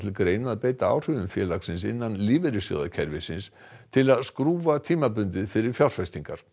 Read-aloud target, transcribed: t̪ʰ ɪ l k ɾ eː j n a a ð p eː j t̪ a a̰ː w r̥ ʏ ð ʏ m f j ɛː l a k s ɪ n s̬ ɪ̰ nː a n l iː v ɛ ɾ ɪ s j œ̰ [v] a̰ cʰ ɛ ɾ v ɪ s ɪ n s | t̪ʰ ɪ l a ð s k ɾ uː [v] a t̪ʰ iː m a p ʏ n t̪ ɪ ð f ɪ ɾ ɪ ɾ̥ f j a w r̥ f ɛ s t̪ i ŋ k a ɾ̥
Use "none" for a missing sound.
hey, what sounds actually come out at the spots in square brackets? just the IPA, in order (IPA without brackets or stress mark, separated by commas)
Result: ð, v